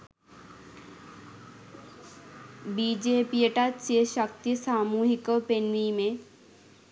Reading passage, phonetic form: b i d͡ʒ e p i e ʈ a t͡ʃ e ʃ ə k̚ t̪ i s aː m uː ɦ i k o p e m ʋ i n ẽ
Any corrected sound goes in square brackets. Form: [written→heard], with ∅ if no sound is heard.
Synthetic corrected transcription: b i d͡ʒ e p i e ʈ a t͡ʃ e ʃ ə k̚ t̪ i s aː m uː ɦ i k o p e [m→n] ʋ i [n→m] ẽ